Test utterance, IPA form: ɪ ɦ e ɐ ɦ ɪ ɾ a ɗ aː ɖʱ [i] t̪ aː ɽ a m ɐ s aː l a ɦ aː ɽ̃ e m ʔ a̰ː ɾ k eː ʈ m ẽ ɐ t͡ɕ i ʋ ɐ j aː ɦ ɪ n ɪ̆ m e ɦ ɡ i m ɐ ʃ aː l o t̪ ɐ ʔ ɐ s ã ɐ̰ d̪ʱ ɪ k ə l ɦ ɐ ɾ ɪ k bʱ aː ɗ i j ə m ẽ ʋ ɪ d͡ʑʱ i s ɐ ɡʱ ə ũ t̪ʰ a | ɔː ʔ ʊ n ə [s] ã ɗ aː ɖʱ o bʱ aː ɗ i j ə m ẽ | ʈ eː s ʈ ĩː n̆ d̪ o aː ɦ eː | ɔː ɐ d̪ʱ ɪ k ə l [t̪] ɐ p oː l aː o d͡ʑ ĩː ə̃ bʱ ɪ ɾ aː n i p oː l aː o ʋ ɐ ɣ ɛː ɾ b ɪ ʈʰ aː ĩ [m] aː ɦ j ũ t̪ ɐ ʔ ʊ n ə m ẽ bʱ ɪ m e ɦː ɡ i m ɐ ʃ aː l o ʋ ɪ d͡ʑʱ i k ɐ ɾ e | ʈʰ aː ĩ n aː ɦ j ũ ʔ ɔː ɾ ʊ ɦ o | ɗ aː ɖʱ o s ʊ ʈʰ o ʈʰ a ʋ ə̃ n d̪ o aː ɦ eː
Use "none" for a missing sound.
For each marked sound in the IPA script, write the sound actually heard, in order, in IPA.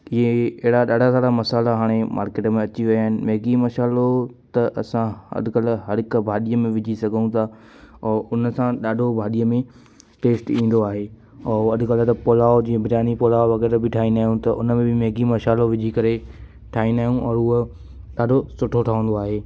a, s, t̪, n

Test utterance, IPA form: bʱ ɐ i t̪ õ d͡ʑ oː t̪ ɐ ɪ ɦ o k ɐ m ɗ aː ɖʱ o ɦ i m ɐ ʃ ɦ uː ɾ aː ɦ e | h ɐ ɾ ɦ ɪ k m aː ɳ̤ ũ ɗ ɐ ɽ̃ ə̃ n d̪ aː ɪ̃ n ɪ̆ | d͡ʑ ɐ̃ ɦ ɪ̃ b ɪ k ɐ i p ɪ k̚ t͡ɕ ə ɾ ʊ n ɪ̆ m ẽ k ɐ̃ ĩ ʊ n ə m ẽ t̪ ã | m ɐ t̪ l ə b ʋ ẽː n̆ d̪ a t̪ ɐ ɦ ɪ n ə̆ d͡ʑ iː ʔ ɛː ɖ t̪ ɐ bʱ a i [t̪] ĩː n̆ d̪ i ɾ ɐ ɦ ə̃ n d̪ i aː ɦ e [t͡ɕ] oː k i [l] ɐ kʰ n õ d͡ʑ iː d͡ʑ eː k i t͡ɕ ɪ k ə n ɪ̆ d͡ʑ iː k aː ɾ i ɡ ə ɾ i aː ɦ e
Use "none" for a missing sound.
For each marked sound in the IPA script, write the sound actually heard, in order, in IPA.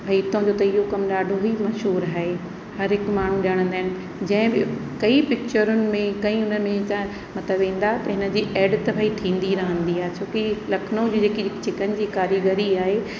t̪ʰ, t͡ɕʰ, l

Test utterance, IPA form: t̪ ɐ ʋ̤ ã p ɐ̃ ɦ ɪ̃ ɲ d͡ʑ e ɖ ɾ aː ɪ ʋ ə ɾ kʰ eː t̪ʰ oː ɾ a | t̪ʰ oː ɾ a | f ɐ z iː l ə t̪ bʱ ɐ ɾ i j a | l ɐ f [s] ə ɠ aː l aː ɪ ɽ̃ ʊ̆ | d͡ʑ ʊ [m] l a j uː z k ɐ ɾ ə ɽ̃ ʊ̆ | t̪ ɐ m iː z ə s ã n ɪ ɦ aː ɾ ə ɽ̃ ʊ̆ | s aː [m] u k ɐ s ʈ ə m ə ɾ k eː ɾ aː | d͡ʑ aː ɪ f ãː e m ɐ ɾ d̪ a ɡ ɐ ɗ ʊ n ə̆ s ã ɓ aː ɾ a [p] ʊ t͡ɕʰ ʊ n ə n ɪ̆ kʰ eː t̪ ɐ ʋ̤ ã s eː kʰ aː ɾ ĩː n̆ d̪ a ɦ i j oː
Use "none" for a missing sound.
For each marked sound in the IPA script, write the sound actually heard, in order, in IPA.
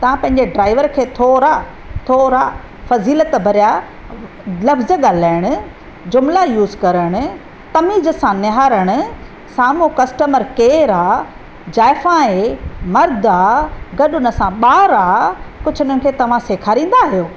z, m, m, k

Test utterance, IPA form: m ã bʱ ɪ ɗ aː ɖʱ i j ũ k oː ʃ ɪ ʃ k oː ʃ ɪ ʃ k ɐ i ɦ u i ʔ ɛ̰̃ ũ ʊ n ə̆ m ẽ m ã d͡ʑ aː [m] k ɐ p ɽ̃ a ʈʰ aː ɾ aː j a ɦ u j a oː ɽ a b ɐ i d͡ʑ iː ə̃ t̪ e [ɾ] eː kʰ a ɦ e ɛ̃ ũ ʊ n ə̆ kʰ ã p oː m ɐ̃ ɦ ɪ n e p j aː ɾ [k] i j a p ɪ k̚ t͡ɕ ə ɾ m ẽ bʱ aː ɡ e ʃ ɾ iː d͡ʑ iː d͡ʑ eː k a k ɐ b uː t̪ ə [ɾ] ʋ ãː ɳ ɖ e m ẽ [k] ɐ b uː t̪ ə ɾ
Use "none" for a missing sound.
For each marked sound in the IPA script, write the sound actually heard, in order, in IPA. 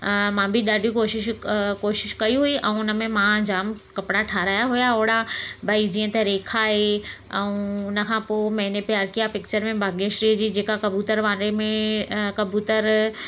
m, ɾ, k, ɾ, k

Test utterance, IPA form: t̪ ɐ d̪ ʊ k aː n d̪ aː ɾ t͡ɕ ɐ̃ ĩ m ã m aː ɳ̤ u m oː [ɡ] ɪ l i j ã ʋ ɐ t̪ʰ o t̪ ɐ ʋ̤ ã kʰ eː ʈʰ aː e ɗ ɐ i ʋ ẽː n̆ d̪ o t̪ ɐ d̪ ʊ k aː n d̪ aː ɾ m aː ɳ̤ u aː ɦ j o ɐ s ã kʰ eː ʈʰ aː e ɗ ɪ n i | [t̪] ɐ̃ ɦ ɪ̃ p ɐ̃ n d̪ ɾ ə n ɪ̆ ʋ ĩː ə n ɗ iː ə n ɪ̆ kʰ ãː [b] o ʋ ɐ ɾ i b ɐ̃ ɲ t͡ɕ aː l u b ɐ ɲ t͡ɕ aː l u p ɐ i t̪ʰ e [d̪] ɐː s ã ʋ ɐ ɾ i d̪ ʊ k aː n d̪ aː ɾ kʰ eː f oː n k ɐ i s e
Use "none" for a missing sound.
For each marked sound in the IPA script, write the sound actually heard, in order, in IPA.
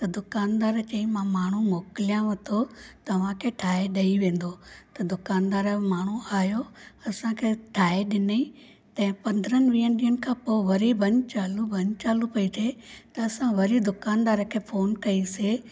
k, t̪, p, t̪

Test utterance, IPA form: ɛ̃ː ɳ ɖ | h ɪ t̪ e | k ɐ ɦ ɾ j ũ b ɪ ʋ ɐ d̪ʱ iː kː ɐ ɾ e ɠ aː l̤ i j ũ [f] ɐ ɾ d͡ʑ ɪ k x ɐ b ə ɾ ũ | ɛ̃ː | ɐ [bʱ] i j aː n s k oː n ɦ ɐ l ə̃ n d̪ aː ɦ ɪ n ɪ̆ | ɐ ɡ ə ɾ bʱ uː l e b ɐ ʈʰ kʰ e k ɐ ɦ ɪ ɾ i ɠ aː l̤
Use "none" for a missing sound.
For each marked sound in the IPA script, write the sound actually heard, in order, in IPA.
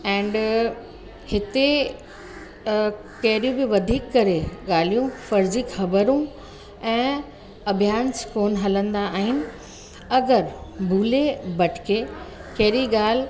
f, bʱ

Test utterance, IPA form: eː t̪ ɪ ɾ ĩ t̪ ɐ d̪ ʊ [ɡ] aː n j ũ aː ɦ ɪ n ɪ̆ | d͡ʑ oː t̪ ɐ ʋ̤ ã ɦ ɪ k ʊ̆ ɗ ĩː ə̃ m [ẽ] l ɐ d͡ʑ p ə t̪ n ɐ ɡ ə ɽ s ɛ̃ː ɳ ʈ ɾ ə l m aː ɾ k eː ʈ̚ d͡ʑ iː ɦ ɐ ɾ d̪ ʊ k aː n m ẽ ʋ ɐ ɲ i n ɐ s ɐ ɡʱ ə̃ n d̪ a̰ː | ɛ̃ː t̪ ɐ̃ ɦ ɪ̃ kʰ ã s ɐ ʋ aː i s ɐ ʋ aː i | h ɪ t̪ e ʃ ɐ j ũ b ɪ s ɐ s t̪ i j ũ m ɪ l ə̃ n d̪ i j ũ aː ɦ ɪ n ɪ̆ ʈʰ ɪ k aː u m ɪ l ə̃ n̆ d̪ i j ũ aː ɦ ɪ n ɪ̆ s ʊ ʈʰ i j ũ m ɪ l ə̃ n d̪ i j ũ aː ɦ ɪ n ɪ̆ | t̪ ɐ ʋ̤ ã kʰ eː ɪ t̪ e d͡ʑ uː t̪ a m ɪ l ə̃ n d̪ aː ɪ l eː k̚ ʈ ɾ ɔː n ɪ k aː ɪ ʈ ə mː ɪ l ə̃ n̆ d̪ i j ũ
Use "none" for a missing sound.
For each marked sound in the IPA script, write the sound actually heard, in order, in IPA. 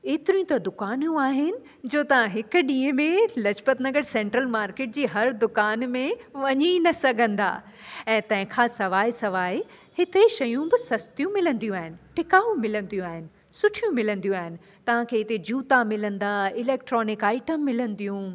k, ẽ

